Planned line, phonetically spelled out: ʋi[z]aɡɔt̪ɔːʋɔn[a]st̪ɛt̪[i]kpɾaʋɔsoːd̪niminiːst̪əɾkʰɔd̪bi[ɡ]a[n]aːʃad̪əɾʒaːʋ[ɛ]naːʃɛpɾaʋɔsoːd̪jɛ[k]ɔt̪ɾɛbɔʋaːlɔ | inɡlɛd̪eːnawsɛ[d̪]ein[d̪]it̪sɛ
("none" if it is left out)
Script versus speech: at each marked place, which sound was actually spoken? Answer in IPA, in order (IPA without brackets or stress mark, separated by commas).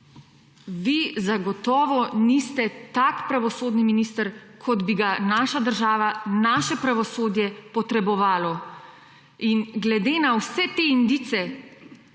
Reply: z, i, a, ɡ, n, a, p, t̪, d̪